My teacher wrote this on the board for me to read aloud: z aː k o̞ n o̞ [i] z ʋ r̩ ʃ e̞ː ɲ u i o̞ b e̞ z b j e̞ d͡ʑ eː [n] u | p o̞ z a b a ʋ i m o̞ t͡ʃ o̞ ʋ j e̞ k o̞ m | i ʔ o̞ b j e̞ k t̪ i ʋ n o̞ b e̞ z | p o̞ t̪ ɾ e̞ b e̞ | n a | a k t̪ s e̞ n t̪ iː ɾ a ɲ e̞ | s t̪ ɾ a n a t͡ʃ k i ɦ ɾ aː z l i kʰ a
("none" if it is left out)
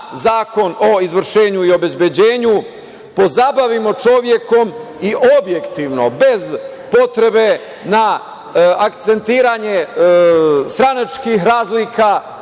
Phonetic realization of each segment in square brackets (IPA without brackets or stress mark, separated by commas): i, ɲ